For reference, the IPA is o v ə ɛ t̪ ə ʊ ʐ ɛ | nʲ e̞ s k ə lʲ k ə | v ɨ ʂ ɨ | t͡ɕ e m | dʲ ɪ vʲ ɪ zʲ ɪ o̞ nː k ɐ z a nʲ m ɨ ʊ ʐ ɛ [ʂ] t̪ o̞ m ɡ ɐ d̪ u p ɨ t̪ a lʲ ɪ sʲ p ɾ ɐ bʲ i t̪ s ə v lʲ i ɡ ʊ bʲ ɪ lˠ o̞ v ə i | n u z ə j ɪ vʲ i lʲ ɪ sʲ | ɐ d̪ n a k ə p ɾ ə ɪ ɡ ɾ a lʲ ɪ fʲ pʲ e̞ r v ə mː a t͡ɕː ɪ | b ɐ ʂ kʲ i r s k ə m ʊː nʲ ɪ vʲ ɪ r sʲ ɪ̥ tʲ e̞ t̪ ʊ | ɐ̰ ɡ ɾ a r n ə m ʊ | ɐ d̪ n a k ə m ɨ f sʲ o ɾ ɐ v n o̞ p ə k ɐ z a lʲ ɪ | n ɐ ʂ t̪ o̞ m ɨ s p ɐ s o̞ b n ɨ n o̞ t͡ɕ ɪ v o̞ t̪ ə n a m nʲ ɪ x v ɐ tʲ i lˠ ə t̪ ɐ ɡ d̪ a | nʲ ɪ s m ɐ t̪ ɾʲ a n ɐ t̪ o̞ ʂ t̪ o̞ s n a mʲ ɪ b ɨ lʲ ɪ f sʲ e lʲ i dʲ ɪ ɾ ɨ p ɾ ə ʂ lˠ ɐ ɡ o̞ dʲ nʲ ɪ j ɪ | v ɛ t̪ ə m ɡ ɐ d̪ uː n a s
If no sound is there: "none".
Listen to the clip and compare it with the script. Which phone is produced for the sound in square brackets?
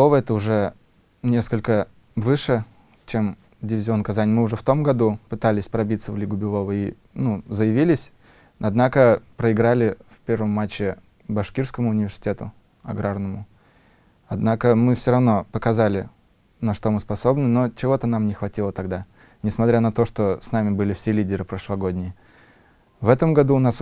f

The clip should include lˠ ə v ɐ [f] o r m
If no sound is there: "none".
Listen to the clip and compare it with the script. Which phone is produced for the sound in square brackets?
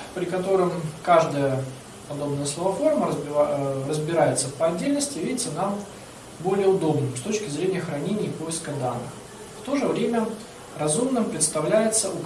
f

